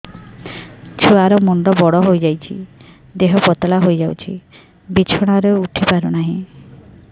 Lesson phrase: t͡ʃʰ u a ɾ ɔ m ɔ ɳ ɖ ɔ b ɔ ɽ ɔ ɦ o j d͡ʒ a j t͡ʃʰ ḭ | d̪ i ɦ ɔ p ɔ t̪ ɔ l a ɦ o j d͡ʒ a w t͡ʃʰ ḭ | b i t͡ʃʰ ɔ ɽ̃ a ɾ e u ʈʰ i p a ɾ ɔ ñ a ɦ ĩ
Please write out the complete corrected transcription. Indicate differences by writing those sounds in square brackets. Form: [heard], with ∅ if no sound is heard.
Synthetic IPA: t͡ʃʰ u a ɾ ɔ m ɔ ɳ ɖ ɔ b ɔ ɽ ɔ ɦ o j d͡ʒ a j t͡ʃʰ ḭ | d̪ [e] ɦ ɔ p ɔ t̪ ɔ l a ɦ o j d͡ʒ a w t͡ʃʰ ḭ | b i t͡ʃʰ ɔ ɽ̃ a ɾ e u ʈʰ i p a ɾ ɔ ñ a ɦ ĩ